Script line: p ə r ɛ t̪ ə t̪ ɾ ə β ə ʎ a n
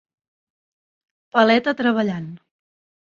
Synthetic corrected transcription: p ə l ɛ t̪ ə t̪ ɾ ə β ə ʎ a n